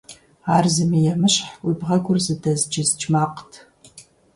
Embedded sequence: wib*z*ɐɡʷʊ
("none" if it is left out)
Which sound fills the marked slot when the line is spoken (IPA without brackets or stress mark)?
ʁ